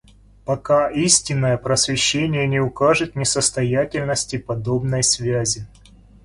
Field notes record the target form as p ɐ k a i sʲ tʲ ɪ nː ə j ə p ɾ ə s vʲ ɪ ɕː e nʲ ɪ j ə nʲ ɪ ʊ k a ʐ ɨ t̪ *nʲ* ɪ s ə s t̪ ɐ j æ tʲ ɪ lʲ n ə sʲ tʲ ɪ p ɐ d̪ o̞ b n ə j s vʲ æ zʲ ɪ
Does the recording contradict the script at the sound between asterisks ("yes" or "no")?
no